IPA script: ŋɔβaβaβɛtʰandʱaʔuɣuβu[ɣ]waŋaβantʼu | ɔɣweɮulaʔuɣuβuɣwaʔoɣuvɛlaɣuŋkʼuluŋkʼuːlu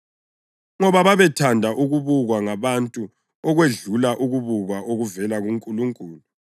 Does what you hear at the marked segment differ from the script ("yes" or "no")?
no